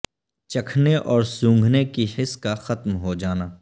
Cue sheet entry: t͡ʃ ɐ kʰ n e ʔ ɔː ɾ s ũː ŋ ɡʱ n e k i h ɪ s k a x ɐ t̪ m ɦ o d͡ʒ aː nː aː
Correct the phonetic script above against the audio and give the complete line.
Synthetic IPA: t͡ʃ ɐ kʰ n e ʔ ɔː ɾ s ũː ŋ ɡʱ n e k i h ɪ s k a x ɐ t̪ m ɦ o d͡ʒ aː n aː